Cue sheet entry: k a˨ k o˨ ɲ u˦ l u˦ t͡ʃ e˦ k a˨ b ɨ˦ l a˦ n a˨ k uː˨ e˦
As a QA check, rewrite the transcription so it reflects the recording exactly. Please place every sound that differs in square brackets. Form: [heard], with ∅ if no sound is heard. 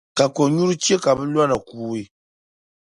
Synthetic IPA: k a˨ k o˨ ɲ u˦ [ɾ] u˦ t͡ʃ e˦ k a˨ b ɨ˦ l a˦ n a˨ k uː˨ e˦